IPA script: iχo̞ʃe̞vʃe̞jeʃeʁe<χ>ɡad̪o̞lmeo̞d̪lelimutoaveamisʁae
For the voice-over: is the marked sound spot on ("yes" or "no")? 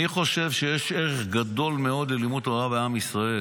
yes